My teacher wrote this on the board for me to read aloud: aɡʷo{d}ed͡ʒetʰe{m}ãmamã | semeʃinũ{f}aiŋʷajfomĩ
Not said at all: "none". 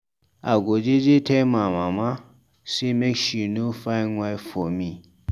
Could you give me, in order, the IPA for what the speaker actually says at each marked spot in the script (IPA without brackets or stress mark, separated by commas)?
d͡ʒ, m, f